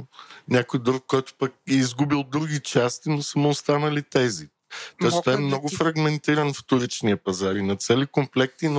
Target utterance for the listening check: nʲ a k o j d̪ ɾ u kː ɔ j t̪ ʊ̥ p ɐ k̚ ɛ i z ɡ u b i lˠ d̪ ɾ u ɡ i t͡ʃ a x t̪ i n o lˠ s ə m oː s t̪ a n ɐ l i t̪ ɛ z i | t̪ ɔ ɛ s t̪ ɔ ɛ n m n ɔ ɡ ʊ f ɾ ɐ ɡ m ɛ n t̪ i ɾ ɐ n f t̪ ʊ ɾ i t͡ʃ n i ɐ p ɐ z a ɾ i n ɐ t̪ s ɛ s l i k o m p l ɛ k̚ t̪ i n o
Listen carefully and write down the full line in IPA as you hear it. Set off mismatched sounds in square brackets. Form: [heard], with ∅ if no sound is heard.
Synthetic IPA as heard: nʲ a k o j d̪ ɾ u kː ɔ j t̪ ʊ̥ p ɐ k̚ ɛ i z ɡ u b i lˠ d̪ ɾ u ɡ i t͡ʃ a [s] t̪ i n o [∅] s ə m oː s t̪ a n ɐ l i t̪ ɛ z i | t̪ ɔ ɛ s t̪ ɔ ɛ [∅] m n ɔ ɡ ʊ f ɾ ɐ ɡ m ɛ n t̪ i ɾ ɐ n f t̪ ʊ ɾ i t͡ʃ n i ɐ p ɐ z a ɾ i n ɐ t̪ s ɛ [∅] l i k o m p l ɛ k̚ t̪ i n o